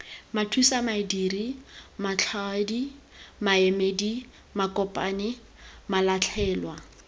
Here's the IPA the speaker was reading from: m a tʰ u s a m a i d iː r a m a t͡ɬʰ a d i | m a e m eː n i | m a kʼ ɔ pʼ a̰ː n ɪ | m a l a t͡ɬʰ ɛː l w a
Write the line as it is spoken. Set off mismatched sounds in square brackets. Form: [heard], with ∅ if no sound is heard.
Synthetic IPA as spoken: m a tʰ u s a m a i d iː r [i] m a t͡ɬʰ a d i | m a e m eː [d] i | m a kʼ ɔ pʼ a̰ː n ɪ | m a l a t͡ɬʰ ɛː l w a